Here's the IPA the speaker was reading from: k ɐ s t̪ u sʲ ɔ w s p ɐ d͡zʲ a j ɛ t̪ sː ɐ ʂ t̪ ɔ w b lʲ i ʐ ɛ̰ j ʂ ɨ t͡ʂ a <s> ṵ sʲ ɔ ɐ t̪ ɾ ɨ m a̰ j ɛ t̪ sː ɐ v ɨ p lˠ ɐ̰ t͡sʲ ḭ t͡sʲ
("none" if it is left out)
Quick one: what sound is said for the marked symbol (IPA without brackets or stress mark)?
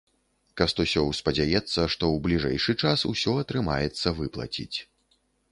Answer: s